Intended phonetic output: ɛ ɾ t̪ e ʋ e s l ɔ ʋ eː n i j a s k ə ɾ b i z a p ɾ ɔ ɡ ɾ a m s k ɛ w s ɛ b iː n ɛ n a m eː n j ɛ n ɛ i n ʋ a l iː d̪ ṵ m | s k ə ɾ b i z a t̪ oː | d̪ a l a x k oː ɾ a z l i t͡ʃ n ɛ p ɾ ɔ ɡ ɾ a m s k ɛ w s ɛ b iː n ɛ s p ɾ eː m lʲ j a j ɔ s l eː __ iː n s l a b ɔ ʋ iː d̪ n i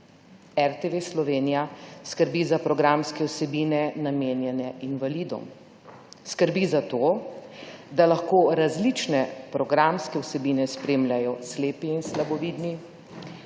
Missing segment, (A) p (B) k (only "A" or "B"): A